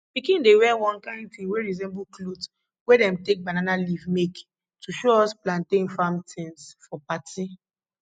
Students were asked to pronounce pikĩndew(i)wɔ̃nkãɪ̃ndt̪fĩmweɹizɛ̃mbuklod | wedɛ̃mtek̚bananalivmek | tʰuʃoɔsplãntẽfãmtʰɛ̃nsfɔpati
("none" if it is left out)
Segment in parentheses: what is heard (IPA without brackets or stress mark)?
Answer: ɛ